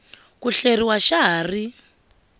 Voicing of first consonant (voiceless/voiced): voiceless